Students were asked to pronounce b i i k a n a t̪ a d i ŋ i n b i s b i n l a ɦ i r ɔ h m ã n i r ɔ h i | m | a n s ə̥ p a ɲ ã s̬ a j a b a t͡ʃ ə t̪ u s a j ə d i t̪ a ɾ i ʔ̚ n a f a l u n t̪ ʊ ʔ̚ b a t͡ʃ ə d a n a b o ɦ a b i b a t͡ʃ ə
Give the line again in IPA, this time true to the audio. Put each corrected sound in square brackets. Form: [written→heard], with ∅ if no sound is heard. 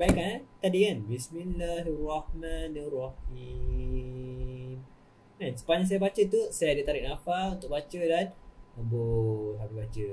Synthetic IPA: b [i→a] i k a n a t̪ a d i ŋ [i→a] n b i s [b→m] i n l a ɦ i r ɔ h m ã n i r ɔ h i | m | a n s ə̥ p a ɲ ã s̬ a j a b a t͡ʃ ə t̪ u s a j [ə→a] d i t̪ a ɾ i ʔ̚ n a f a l u n t̪ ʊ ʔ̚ b a t͡ʃ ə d a n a b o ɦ a b i b a t͡ʃ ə